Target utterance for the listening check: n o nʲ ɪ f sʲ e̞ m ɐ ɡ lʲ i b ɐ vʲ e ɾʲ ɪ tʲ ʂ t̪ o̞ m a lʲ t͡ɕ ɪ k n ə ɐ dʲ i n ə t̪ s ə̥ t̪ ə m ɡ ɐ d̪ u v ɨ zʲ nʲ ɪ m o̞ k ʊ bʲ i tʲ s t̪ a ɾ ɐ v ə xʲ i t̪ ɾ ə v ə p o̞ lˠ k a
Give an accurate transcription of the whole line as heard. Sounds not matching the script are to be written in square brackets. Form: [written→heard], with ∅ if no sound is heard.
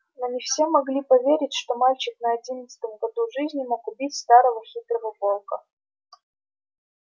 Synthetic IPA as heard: n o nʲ ɪ f sʲ e̞ m ɐ ɡ lʲ i [b→p] ɐ vʲ e ɾʲ ɪ tʲ ʂ t̪ o̞ m a lʲ t͡ɕ ɪ k n ə ɐ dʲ i n ə t̪ s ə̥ t̪ ə m ɡ ɐ d̪ u [v→ʐ] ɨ zʲ nʲ ɪ m o̞ k ʊ bʲ i tʲ s t̪ a ɾ [ɐ→ə] v ə xʲ i t̪ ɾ ə v ə p o̞ lˠ k [a→ə]